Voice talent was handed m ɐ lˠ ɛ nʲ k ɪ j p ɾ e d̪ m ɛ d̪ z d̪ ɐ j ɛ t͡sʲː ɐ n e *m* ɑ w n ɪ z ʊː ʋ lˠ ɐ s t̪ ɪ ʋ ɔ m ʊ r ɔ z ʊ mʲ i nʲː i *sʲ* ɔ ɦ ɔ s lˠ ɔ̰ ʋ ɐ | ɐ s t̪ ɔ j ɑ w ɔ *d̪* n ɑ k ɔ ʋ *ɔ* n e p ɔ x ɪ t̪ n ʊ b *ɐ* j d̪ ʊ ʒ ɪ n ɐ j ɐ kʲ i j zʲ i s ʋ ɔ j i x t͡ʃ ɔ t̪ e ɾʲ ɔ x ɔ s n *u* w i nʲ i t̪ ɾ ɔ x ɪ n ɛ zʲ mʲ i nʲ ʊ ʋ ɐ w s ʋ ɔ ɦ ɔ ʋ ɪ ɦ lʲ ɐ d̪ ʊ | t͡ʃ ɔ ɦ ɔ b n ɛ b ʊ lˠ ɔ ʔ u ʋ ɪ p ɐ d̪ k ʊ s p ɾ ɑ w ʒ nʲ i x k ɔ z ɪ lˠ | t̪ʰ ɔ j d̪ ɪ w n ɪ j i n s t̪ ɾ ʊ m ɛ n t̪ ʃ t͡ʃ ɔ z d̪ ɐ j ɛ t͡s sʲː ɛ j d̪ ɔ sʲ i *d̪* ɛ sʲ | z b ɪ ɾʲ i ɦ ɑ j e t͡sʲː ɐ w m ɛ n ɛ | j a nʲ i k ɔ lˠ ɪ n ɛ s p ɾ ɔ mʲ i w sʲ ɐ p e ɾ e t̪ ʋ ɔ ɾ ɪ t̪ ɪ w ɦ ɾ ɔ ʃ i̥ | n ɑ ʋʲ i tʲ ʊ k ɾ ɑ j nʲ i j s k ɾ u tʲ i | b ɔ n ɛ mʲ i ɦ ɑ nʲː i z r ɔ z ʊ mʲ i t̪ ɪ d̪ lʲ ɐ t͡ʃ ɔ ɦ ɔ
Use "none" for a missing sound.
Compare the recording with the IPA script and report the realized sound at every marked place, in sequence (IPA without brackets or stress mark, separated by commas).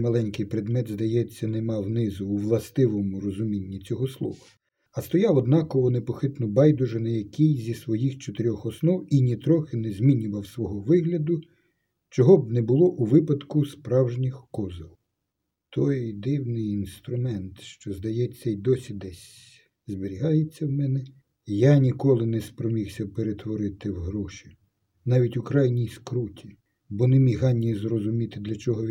m, t͡sʲ, d̪, ɔ, ɑ, ɔ, d̪